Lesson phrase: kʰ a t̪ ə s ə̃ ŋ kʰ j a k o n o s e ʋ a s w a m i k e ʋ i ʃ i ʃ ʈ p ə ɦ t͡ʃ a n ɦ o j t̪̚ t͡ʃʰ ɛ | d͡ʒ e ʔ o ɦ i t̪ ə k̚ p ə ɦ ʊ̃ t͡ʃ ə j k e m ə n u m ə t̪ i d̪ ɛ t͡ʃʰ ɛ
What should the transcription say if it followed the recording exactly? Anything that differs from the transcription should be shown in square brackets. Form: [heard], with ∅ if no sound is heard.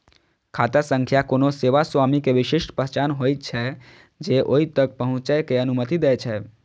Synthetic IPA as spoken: kʰ a t̪ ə s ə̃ ŋ kʰ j a k o n o s e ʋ a s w a m i k e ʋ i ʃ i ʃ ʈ p ə ɦ t͡ʃ a n ɦ o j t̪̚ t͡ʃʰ ɛ | d͡ʒ e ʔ o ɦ i t̪ ə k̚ p ə ɦ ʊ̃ t͡ʃ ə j k e [∅] ə n u m ə t̪ i d̪ ɛ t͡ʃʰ ɛ